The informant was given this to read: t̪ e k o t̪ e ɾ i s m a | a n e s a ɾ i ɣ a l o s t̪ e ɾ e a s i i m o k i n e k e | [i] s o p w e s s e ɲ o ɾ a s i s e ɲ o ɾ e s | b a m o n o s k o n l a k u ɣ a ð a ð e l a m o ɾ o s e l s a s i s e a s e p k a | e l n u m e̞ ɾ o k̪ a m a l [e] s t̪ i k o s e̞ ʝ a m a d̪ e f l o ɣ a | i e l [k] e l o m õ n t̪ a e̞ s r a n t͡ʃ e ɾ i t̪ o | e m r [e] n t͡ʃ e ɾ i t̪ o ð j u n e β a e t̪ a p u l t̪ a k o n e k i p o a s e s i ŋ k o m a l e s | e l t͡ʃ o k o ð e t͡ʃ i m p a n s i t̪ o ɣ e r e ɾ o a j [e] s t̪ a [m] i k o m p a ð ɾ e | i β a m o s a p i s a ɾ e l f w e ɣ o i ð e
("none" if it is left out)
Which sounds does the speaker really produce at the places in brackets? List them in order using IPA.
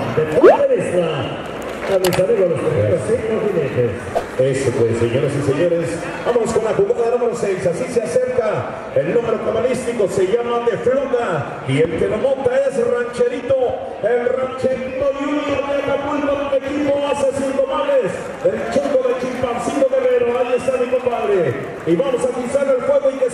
e, i, k, a, e, m

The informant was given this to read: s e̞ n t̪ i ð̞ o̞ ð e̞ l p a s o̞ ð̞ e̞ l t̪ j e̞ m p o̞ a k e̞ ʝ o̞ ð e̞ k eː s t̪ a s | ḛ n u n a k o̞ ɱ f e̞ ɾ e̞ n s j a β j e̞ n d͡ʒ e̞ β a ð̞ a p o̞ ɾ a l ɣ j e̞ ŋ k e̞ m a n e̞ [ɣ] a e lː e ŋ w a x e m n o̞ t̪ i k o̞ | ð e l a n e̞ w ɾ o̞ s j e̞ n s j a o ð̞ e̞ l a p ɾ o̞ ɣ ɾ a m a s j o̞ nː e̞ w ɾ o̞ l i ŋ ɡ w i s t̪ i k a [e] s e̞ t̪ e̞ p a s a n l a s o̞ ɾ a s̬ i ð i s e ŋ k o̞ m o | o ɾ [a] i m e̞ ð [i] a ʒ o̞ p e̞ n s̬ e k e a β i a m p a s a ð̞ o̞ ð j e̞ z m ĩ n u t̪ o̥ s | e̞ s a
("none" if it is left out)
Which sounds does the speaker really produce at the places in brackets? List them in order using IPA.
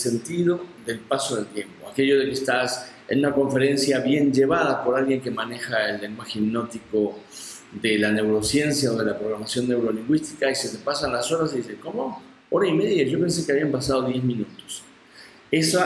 x, i, a, j

